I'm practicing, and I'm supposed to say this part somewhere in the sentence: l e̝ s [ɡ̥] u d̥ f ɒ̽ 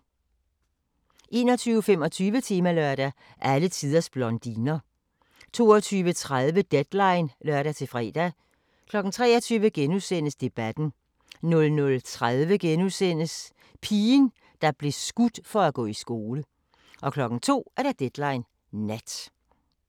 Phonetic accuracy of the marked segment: correct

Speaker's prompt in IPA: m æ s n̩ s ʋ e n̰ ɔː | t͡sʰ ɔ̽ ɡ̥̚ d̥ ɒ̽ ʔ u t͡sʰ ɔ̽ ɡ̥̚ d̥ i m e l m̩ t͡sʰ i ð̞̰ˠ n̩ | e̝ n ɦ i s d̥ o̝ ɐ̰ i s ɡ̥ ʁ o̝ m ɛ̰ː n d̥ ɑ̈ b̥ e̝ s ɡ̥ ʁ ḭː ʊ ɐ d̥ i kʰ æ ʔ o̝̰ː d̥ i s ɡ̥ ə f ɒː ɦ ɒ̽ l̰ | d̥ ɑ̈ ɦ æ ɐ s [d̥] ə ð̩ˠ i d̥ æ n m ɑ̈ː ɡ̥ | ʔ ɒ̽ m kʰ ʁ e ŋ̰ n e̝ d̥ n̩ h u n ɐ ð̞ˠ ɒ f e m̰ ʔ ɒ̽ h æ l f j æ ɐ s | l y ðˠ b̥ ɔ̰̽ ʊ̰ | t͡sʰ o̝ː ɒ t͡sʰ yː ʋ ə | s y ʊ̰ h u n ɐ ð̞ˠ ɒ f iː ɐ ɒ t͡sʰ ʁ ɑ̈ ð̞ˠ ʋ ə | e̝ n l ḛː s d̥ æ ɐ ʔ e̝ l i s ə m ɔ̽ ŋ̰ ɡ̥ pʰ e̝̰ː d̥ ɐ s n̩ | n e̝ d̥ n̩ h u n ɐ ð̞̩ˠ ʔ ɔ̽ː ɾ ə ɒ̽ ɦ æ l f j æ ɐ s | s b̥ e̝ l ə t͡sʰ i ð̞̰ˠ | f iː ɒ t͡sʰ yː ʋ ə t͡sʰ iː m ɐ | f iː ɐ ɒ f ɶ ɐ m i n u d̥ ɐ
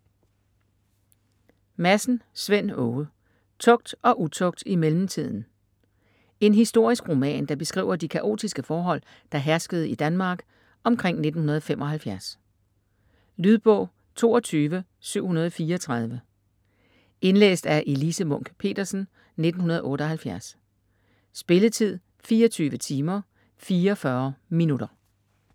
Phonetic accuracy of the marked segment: incorrect: ɡ̥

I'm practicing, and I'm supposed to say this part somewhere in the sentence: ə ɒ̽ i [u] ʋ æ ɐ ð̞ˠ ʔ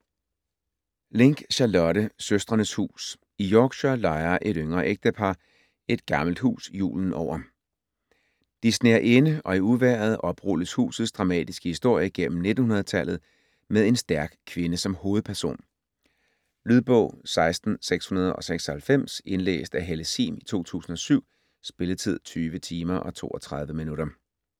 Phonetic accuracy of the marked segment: correct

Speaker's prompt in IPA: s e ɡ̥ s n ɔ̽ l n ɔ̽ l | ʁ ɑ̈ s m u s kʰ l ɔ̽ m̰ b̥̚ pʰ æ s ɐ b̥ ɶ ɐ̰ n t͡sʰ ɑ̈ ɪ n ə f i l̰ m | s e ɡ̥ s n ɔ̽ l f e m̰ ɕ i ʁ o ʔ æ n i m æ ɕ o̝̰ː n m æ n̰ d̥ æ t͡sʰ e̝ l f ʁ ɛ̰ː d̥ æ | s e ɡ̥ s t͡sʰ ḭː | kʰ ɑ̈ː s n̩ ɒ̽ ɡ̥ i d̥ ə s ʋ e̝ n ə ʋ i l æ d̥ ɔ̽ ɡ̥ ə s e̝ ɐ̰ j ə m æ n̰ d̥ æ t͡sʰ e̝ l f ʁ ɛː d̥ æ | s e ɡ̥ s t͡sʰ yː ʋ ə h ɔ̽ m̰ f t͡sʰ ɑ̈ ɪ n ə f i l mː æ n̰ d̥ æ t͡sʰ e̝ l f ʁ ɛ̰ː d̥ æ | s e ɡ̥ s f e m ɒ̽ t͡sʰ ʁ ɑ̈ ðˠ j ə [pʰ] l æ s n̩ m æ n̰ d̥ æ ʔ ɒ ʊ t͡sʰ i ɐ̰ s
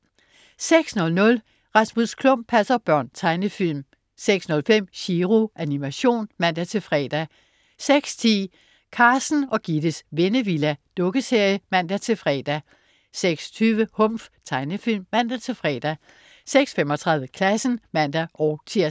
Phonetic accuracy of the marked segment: incorrect: kʰ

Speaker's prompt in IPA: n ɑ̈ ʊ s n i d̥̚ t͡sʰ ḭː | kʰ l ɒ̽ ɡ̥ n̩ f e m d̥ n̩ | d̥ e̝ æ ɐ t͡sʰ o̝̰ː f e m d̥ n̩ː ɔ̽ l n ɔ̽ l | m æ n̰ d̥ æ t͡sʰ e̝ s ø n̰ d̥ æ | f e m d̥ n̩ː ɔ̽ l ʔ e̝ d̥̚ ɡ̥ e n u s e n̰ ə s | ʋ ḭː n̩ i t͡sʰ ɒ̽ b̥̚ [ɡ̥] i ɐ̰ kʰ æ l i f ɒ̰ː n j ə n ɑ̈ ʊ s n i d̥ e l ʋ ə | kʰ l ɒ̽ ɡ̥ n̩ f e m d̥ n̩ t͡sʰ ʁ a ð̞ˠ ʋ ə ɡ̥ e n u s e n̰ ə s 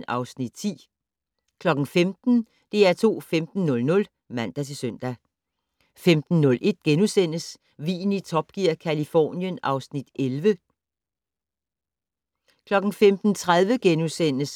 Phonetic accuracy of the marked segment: correct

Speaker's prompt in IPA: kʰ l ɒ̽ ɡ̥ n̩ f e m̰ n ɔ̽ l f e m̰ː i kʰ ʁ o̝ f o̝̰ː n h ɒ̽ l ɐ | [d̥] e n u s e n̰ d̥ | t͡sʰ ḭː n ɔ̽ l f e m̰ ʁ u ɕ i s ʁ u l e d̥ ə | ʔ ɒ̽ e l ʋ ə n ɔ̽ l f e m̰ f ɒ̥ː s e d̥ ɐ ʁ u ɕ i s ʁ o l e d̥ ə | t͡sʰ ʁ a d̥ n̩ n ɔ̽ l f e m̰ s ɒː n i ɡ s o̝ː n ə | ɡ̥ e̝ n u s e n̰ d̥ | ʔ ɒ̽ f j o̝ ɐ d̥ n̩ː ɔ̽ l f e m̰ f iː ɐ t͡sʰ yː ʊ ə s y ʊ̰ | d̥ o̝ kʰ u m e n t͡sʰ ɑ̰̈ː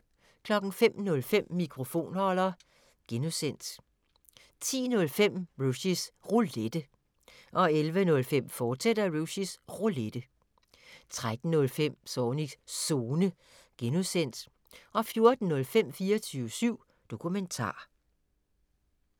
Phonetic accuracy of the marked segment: incorrect: ɡ̥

